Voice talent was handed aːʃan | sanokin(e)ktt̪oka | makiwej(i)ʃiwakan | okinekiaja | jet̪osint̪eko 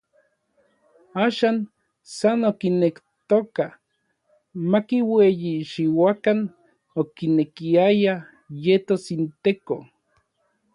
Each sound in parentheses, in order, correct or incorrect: correct, correct

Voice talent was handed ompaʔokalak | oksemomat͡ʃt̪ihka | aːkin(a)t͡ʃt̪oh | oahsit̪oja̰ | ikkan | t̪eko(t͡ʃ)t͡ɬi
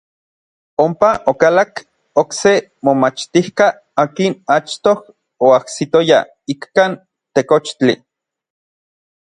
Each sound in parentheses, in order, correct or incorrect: correct, correct

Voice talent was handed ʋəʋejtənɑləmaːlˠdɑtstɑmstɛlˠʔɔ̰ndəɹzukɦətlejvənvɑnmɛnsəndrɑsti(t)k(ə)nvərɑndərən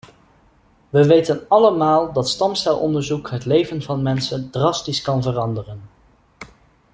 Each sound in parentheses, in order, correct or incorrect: incorrect: s, incorrect: ɑ

